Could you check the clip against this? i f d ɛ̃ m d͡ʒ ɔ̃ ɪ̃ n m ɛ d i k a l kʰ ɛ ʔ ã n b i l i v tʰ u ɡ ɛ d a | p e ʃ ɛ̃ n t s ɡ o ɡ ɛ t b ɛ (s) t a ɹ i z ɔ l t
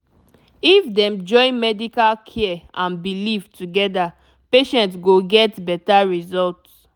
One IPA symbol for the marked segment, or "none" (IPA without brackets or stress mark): none